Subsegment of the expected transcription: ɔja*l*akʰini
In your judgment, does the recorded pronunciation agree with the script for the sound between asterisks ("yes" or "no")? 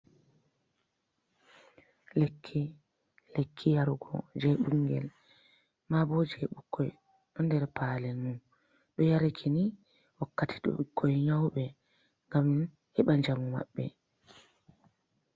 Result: no